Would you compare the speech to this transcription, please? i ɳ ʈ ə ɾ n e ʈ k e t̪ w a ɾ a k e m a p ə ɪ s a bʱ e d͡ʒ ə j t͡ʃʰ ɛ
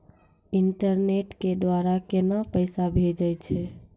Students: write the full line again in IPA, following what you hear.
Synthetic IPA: i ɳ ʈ ə ɾ n e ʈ k e d̪ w a ɾ a k e n a p ə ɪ s a bʱ e d͡ʒ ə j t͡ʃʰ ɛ